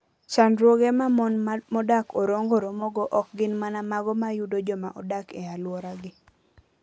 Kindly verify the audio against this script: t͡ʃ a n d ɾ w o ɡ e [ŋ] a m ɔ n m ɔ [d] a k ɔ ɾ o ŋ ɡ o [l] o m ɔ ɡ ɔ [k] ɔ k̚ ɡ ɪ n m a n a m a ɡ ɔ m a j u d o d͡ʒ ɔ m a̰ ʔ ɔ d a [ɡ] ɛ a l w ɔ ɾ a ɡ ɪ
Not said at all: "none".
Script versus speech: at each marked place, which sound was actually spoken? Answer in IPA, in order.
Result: m, d, ɾ, ʔ, k

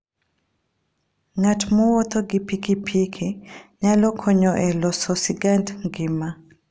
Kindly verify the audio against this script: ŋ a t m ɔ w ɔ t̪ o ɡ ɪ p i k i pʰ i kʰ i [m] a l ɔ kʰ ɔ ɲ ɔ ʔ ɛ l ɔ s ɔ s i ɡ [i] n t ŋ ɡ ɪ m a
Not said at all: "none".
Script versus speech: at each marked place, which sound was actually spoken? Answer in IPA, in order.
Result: ɲ, a

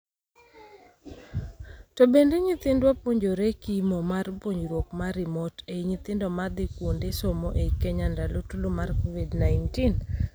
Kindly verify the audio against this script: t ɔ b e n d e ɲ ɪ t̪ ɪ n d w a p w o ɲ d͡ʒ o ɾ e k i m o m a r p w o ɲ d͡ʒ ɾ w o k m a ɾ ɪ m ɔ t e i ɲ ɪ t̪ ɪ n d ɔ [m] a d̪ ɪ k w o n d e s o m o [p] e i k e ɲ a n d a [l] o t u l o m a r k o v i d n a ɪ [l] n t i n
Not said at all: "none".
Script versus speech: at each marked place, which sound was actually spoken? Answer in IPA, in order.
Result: m, ʔ, l, none

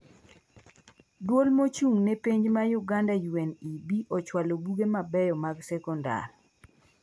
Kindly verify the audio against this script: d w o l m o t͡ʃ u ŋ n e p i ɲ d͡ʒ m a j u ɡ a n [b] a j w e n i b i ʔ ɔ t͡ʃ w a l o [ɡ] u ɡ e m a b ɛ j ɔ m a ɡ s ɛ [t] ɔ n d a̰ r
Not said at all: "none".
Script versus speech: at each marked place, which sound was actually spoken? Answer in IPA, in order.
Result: d, b, k

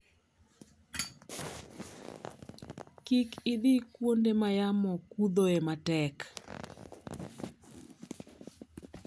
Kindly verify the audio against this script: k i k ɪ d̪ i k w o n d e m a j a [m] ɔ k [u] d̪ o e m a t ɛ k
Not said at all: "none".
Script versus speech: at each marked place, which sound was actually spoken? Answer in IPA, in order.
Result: m, u

